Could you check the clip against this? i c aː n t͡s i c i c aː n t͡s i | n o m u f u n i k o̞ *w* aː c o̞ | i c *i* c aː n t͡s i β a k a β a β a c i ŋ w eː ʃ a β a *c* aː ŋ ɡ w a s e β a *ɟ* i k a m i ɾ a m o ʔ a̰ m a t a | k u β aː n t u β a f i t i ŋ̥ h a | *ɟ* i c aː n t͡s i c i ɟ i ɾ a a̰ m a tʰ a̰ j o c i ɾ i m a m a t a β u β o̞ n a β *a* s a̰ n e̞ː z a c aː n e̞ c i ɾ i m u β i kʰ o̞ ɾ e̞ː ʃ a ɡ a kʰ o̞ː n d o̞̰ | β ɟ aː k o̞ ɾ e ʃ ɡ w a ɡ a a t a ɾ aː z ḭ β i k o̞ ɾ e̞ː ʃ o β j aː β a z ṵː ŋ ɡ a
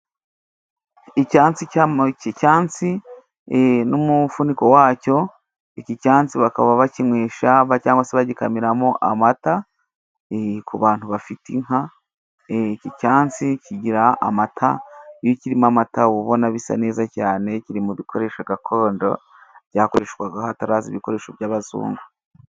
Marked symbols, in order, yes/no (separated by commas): yes, yes, yes, yes, no, no